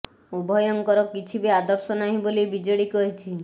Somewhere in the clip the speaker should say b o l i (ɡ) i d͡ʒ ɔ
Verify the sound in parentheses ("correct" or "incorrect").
incorrect